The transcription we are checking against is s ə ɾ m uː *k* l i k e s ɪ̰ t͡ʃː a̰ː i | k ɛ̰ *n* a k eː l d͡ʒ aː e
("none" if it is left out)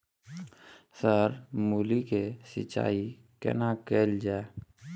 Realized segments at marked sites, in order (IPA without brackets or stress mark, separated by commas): none, n